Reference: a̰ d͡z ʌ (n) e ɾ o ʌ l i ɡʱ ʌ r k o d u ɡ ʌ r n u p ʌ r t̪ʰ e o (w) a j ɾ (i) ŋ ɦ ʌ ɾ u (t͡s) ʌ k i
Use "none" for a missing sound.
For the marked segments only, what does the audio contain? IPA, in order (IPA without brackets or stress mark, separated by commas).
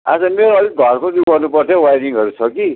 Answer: m, w, i, t͡sʰ